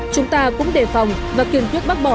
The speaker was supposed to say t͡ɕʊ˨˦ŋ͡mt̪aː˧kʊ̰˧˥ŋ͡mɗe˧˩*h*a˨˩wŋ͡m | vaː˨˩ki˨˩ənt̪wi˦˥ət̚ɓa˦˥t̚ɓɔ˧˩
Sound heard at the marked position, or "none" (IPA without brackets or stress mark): f